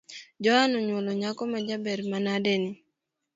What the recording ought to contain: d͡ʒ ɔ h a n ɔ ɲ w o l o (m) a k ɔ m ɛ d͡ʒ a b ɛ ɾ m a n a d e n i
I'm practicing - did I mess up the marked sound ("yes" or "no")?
yes